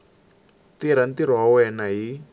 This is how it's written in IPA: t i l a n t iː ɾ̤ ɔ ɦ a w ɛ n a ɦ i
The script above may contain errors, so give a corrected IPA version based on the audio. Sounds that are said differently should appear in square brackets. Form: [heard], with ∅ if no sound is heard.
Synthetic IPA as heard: t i [ɾ] a n t [i] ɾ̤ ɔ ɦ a w ɛ n a ɦ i